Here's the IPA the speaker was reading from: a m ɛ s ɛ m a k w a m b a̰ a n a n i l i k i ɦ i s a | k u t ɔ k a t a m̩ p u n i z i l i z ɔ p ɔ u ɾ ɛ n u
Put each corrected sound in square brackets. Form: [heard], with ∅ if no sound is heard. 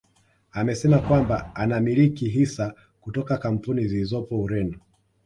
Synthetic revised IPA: a m ɛ s ɛ m a k w a m b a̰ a n a [m] i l i k i ɦ i s a | k u t ɔ k a [k] a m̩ p u n i z i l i z ɔ p ɔ u ɾ ɛ n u